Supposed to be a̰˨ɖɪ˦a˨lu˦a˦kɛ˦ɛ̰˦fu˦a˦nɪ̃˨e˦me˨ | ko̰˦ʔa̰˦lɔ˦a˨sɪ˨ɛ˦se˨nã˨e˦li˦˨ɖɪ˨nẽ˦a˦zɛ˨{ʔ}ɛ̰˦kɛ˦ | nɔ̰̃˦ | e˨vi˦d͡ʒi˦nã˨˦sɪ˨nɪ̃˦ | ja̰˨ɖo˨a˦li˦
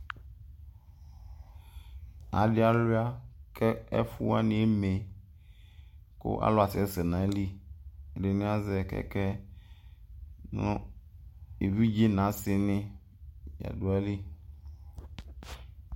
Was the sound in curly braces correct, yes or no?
no